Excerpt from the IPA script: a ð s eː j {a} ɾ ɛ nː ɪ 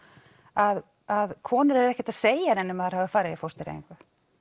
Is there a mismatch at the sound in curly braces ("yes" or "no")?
no